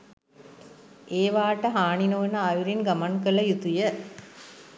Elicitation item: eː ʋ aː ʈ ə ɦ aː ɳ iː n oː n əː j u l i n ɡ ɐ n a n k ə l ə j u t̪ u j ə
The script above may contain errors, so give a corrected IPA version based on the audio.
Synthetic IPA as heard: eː ʋ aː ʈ ə ɦ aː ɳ i n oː n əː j u ɾ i n ɡ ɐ m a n k ə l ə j u t̪ u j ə